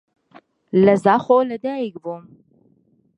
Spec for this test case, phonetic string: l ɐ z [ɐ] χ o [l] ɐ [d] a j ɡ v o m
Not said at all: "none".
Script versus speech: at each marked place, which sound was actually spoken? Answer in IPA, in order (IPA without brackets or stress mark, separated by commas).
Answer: a, l, d